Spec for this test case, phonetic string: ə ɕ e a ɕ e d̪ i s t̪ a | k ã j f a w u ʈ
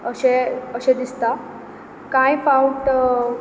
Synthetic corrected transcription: ə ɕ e ə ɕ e d̪ i s t̪ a | k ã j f a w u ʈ